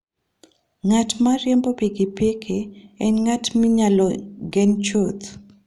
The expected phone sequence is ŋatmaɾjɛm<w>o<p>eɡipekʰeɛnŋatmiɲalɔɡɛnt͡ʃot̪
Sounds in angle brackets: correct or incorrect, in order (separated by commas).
incorrect, correct